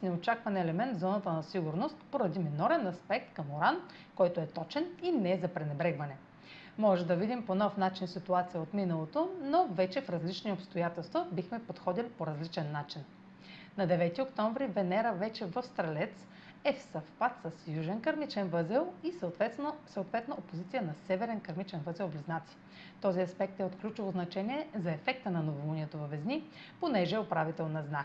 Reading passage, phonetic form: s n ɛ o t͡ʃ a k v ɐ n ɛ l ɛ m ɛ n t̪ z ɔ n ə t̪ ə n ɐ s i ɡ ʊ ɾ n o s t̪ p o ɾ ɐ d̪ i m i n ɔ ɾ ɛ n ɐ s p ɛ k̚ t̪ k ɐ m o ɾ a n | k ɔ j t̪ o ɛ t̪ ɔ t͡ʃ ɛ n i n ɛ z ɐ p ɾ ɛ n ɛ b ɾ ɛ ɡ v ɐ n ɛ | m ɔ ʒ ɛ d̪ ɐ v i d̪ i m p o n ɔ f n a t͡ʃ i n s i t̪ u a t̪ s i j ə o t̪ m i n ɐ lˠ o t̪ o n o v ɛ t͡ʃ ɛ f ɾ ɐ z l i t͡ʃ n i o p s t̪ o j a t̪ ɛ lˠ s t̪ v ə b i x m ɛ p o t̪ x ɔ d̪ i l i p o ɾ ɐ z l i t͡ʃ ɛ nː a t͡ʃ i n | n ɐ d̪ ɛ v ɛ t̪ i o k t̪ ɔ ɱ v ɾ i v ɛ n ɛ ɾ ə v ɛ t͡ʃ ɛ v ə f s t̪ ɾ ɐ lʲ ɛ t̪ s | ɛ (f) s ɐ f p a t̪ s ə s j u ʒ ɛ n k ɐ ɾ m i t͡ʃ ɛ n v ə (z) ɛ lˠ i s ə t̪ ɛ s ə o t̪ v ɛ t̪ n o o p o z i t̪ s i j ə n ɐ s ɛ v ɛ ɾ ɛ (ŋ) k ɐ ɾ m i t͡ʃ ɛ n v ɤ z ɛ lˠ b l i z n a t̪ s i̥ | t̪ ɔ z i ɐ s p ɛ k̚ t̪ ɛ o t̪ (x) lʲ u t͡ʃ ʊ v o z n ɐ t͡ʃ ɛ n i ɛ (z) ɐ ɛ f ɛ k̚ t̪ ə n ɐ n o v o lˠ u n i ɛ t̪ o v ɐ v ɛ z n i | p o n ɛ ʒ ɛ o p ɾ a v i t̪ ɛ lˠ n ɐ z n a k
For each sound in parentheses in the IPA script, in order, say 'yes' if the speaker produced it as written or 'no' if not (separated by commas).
yes, yes, no, no, yes